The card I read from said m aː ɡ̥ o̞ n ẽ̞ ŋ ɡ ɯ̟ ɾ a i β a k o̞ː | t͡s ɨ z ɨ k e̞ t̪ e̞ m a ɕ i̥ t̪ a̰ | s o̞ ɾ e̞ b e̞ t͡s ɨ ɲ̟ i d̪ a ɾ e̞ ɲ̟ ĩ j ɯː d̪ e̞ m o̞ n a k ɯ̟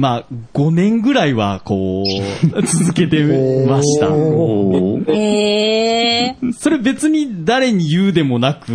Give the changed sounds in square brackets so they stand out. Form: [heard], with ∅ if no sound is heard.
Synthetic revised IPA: m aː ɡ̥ o̞ n ẽ̞ ŋ ɡ ɯ̟ ɾ a i β a k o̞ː | t͡s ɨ z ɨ k e̞ t̪ e̞ m a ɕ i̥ t̪ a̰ | s o̞ ɾ e̞ b e̞ t͡s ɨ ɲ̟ i d̪ a ɾ e̞ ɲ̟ [i] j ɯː d̪ e̞ m o̞ n a k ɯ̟